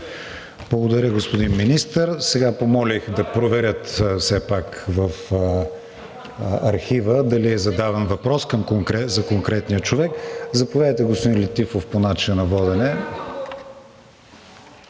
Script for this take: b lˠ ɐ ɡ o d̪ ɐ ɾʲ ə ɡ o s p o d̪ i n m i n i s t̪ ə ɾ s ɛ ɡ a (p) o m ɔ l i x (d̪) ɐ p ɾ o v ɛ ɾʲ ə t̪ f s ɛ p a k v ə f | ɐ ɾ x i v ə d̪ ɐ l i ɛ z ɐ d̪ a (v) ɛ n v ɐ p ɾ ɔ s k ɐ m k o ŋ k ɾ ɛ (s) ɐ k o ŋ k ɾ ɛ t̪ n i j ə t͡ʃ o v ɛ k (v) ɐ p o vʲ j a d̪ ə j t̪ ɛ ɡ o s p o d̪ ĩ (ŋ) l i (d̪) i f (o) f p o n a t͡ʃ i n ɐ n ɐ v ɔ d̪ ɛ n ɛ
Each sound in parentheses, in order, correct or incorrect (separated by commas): correct, correct, correct, incorrect, incorrect, incorrect, incorrect, correct